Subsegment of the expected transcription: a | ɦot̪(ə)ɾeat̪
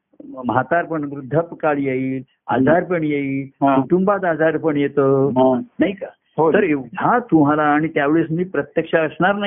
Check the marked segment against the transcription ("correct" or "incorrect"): correct